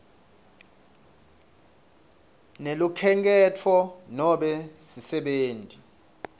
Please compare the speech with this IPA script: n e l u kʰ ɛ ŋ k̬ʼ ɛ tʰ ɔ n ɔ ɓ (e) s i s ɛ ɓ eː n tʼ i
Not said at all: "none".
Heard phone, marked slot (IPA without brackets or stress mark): ɛ